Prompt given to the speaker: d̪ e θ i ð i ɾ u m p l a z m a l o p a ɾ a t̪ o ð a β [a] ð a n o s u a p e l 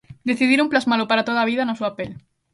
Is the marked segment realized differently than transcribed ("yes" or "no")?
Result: yes